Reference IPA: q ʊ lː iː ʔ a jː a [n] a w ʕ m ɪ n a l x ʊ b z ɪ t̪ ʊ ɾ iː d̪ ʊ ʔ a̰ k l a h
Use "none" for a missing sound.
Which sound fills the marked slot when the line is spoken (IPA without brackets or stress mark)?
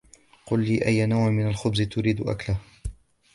n